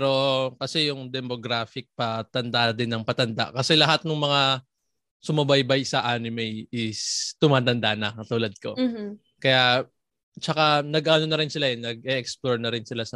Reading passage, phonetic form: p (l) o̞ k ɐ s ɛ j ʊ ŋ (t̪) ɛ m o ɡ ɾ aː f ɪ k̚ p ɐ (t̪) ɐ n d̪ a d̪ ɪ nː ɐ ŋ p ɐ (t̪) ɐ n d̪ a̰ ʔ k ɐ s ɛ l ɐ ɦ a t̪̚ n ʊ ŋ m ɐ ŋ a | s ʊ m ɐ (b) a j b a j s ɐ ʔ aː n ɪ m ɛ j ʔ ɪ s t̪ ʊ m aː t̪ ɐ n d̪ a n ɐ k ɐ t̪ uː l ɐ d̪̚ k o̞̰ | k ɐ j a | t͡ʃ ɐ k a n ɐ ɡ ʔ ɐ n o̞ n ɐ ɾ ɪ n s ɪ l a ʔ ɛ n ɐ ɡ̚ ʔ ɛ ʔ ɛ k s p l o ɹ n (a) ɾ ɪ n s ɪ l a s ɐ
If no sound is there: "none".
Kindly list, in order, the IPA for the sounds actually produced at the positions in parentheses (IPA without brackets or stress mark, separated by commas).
ɾ, d̪, t̪, t̪, b, ɐ